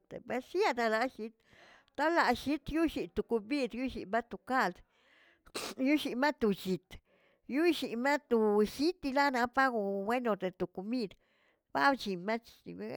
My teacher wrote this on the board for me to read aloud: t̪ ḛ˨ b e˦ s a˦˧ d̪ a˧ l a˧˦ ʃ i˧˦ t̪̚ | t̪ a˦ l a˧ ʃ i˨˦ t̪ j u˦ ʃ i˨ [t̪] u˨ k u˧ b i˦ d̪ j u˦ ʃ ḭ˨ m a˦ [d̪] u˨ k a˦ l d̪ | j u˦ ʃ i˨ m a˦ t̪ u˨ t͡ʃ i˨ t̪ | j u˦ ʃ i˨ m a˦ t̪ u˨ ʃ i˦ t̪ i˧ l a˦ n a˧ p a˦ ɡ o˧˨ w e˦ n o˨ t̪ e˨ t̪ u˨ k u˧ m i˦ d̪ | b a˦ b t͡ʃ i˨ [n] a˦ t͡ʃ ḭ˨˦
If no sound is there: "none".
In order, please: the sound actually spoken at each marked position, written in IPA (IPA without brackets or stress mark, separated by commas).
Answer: t̪, t̪, m